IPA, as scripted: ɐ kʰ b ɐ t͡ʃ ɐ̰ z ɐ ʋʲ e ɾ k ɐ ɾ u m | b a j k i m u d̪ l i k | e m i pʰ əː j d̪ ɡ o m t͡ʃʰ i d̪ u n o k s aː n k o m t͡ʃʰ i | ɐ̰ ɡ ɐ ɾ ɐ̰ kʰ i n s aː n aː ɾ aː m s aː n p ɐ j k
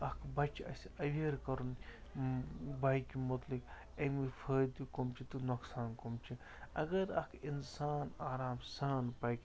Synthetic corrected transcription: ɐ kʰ b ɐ t͡ʃ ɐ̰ s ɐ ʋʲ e ɾ k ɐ ɾ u n | b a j k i m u t̪ l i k | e m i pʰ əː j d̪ k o m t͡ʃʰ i t̪ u n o k s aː n k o m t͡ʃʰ i | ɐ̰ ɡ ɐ ɾ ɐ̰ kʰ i n s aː n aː ɾ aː m s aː n p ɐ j k